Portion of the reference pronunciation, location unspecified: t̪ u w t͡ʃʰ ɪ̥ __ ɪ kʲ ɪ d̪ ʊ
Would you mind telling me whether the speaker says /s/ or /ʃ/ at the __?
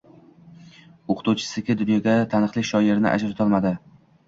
s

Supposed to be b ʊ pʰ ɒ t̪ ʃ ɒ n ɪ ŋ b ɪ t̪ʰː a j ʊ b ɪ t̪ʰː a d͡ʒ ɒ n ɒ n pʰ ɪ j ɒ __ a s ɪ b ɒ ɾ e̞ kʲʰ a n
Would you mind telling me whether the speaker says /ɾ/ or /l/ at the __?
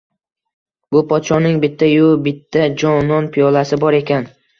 l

